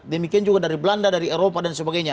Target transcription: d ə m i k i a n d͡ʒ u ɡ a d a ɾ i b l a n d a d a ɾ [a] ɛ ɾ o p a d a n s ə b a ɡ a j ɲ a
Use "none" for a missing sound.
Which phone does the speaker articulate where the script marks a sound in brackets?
i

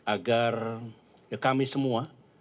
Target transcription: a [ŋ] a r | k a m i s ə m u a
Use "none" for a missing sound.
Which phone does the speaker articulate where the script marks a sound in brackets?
ɡ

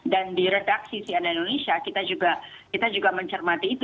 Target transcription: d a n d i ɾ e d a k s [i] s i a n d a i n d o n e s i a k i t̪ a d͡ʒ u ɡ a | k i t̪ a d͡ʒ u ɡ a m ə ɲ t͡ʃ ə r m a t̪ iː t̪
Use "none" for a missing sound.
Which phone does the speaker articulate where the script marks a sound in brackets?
i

